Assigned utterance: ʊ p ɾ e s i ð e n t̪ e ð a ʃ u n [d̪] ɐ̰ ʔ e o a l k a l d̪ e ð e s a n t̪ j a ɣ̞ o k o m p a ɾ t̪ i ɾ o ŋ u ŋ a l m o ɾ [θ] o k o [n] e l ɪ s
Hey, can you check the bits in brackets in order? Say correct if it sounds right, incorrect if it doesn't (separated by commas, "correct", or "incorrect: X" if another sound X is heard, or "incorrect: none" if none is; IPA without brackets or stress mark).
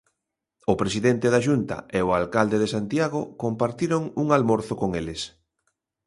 incorrect: t̪, correct, incorrect: ŋ